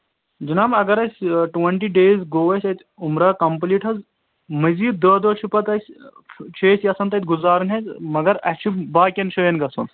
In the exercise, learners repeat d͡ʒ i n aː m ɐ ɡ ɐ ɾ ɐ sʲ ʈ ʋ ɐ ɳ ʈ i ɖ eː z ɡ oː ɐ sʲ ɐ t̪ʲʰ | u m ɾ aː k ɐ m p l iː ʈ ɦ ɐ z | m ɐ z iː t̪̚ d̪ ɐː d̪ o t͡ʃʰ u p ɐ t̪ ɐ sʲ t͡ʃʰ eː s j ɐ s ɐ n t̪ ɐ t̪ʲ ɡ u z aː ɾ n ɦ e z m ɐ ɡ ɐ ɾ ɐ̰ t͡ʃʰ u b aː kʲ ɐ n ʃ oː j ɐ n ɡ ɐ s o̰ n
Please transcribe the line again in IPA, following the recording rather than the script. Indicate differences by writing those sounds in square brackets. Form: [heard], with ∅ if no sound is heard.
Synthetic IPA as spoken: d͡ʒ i n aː m ɐ ɡ ɐ ɾ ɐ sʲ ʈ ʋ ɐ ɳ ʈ i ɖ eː z ɡ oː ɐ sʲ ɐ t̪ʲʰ | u m ɾ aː k ɐ m p l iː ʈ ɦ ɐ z | m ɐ z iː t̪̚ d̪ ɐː d̪ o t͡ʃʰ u p ɐ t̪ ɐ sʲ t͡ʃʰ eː s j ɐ s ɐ n t̪ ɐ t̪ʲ ɡ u z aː ɾ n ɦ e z m ɐ ɡ ɐ ɾ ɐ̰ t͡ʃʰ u b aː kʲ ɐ n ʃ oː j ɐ n ɡ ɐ s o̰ n